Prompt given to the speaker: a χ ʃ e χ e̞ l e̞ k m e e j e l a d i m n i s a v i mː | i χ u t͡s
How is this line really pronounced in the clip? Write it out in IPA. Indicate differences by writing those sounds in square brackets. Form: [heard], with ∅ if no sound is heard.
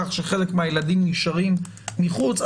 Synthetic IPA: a χ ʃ e χ e̞ l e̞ k m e [a] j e l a d i m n i [ʃ] a [ʁ] i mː | i χ u t͡s